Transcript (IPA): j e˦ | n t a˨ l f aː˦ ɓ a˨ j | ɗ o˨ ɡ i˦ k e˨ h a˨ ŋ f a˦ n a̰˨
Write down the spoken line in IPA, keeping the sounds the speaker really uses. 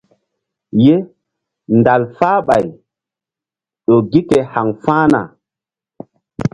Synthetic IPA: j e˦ | n d a˨ l f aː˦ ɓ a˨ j | ɗ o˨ ɡ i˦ k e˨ h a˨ ŋ f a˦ n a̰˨